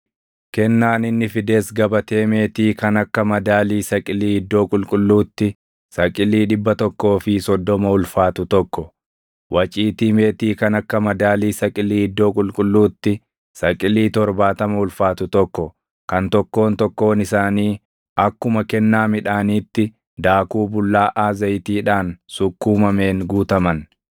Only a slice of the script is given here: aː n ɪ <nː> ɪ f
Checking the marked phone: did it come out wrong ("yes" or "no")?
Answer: no